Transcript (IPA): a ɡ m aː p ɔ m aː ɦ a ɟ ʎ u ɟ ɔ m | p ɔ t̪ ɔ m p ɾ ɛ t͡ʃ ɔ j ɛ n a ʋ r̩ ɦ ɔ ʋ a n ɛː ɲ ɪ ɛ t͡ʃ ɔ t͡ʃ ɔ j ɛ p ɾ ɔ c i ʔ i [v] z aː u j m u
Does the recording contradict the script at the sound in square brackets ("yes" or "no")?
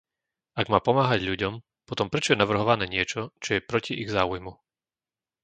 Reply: yes